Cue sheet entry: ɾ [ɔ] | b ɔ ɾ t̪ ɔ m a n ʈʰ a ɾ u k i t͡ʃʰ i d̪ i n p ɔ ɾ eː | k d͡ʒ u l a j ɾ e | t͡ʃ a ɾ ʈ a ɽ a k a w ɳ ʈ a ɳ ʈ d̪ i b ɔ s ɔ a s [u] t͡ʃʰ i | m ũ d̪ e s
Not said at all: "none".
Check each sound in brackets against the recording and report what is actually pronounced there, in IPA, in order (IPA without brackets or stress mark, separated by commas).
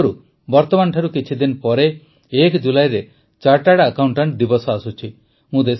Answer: u, u